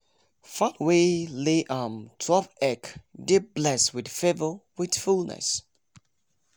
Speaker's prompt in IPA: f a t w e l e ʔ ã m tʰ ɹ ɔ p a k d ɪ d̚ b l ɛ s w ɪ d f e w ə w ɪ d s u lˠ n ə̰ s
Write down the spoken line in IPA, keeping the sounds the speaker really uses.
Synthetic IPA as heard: f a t w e l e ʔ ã m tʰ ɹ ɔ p ɛ k d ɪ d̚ b l ɛ s w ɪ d f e v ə w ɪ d f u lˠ n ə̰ s